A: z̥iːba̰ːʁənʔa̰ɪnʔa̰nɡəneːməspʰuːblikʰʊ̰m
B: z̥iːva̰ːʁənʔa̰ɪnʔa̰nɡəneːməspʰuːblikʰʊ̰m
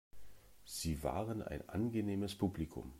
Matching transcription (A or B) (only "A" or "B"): B